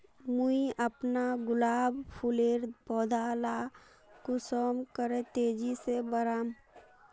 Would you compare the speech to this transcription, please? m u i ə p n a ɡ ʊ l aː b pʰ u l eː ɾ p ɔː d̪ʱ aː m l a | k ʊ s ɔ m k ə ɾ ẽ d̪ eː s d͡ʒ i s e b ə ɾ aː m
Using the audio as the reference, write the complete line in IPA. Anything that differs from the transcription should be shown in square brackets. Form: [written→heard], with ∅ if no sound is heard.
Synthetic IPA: m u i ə p n a ɡ ʊ l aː b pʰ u l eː ɾ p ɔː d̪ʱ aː [m→∅] l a | k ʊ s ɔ m k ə ɾ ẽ [d̪→t̪] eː [s→∅] d͡ʒ i s e b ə ɾ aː m